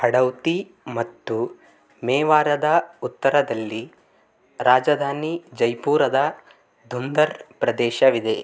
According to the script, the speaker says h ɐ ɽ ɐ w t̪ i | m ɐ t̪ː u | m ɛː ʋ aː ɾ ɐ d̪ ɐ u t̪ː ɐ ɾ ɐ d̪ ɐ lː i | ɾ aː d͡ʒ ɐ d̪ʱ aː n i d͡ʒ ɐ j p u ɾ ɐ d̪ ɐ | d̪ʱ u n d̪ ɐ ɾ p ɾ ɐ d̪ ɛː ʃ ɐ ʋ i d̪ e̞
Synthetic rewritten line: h ɐ ɽ ɐ w t̪ i | m ɐ t̪ː u | m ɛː ʋ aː ɾ ɐ d̪ ɐ u t̪ː ɐ ɾ ɐ d̪ ɐ lː i | ɾ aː d͡ʒ ɐ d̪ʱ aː n i d͡ʒ ɐ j p uː ɾ ɐ d̪ ɐ | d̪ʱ u n d̪ ɐ ɾ p ɾ ɐ d̪ ɛː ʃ ɐ ʋ i d̪ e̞